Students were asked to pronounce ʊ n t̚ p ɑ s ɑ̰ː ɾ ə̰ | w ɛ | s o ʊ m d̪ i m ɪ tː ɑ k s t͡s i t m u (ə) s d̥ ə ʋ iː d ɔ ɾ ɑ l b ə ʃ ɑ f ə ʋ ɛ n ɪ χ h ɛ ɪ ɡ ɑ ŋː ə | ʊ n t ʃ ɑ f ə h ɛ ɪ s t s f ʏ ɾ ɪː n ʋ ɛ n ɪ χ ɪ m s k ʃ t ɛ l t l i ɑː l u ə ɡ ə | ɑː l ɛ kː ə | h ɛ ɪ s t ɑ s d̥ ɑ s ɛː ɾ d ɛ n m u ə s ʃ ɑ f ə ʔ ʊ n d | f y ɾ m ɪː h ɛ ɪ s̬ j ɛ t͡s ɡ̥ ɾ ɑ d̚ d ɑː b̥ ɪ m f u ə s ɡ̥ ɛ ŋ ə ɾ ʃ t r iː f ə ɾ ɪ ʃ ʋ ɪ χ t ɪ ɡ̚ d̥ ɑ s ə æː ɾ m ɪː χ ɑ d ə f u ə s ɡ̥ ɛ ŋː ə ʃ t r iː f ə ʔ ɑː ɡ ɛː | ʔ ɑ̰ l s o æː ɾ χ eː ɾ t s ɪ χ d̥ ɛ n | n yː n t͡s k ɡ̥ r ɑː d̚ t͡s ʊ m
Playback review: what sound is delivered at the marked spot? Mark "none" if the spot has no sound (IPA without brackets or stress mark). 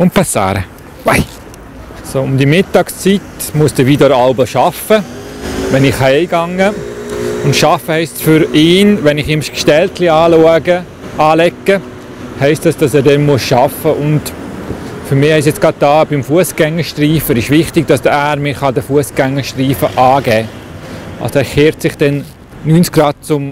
ə